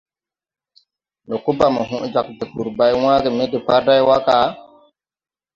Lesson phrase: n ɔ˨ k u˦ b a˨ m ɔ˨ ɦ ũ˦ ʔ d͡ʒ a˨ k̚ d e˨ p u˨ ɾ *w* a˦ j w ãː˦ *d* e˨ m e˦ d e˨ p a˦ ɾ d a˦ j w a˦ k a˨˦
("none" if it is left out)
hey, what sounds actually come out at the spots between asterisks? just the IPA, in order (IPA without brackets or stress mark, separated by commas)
b, ɡ